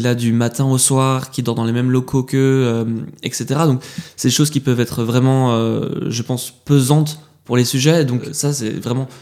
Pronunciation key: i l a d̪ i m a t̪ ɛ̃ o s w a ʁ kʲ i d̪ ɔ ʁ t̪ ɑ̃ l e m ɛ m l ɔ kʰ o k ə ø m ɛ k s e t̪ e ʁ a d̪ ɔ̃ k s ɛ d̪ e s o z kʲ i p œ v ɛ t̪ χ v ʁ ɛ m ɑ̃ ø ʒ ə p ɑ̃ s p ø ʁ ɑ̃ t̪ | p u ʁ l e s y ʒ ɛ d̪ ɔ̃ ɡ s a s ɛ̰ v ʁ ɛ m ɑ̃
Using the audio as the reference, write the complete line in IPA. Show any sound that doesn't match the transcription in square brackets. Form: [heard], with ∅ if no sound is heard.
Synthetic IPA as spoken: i l a d̪ [y] m a t̪ ɛ̃ o s w a ʁ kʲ i d̪ ɔ ʁ [d̪] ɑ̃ l e m ɛ m l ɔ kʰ o k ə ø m ɛ k s e t̪ e ʁ a d̪ ɔ̃ k s ɛ d̪ e [ʃ] o z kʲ i p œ v ɛ t̪ χ v ʁ ɛ m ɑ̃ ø ʒ ə p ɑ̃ s p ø [z] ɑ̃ t̪ | p u ʁ l e s y ʒ ɛ d̪ ɔ̃ [k] s a s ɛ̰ v ʁ ɛ m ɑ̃